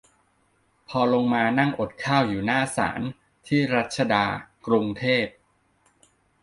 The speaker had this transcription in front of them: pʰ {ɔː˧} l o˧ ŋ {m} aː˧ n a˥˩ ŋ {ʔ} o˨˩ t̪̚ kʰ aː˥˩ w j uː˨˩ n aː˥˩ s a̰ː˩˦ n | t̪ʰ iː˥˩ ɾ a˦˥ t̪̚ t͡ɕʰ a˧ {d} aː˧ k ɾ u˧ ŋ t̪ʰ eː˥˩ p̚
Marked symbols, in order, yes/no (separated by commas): yes, yes, yes, yes